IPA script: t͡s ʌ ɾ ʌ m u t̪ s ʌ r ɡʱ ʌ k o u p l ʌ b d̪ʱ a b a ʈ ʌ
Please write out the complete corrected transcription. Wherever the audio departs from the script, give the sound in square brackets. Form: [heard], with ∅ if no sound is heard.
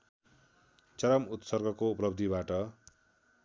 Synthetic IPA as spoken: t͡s ʌ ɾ ʌ m u t̪ s ʌ r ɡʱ ʌ k o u p l ʌ b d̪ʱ [i] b a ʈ ʌ